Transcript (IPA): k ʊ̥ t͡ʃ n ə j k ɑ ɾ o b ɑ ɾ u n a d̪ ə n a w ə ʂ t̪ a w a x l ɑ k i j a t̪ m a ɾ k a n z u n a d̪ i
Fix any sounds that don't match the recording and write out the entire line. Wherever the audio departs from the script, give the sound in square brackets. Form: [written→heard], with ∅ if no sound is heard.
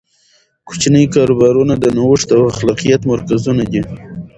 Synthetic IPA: k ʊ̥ t͡ʃ n ə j k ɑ ɾ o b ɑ ɾ u n a d̪ ə n a w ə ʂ t̪ a w a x l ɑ [k→q] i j a t̪ m a ɾ k a [n→∅] z u n a d̪ i